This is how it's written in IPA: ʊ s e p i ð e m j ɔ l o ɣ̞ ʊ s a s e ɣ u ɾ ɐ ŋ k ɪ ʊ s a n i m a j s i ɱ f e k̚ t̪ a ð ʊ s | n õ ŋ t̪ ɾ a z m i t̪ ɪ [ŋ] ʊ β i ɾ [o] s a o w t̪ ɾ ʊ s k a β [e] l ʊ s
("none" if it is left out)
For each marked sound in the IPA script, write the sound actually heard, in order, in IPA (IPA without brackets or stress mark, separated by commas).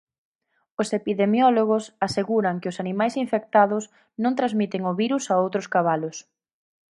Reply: ŋ, u, a